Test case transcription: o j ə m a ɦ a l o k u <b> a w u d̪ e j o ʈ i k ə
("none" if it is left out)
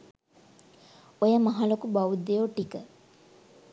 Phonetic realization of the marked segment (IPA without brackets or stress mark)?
b